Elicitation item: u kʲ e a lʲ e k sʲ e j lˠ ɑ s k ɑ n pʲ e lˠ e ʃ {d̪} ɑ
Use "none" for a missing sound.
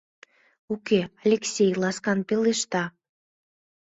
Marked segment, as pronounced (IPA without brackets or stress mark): t̪